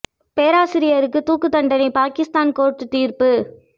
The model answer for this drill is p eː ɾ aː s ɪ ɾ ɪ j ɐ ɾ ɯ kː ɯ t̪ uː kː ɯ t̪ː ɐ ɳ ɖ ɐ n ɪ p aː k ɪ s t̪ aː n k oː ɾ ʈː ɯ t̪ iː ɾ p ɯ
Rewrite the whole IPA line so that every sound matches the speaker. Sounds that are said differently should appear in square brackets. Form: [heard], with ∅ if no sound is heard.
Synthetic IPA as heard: p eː ɾ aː s ɪ ɾ ɪ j ɐ ɾ ɯ kː ɯ t̪ uː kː ɯ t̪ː ɐ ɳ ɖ ɐ n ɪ p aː k ɪ s t̪ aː n k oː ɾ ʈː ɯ t̪ iː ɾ p ɯ